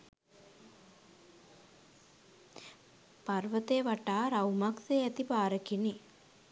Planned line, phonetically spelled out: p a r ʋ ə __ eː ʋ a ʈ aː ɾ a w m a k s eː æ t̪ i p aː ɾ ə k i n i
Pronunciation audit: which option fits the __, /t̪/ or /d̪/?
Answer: t̪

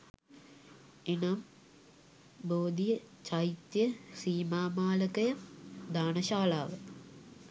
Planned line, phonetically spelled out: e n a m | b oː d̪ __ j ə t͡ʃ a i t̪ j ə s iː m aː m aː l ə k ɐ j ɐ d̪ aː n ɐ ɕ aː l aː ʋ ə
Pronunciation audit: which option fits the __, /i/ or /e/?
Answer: i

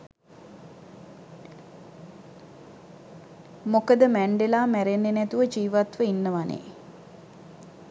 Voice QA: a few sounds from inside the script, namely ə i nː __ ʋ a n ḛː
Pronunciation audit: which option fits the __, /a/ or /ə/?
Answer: ə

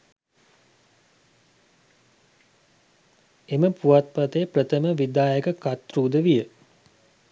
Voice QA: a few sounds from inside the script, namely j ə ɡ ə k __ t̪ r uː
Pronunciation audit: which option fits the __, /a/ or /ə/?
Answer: a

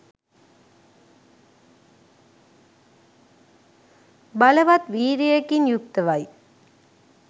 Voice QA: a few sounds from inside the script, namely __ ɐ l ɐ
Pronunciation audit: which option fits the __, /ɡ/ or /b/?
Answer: b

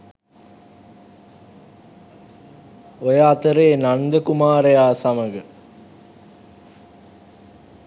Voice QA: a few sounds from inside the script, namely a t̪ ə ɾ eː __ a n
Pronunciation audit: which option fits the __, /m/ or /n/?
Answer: n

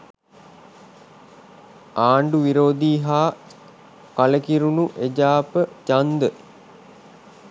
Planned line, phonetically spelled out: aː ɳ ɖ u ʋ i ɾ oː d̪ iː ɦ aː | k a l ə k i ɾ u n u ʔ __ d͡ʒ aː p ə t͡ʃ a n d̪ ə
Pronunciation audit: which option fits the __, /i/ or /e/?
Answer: e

